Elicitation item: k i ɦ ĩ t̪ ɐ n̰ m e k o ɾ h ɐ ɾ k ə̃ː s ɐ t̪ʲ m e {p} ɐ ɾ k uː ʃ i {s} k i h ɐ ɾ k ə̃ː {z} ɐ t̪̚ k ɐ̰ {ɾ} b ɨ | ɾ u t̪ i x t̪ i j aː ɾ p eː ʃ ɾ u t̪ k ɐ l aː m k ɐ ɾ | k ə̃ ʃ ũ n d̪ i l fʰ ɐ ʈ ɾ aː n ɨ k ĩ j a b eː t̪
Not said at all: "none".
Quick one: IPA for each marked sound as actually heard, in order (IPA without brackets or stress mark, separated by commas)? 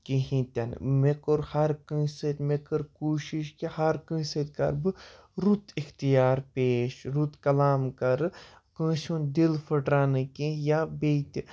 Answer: k, ʃ, s, ɾ